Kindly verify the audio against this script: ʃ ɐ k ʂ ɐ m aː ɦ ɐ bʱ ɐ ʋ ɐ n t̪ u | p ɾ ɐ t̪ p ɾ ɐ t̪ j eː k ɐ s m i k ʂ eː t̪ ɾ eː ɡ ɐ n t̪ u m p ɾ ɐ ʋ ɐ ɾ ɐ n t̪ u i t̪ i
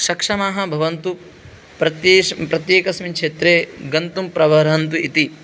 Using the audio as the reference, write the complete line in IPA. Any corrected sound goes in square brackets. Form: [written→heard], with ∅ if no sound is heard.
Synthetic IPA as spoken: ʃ ɐ k ʂ ɐ m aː ɦ ɐ bʱ ɐ ʋ ɐ n t̪ u | p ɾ ɐ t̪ p ɾ ɐ t̪ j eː k ɐ s m i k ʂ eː t̪ ɾ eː ɡ ɐ n t̪ u m p ɾ ɐ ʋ ɐ ɾ ɐ n t̪ u i t̪ i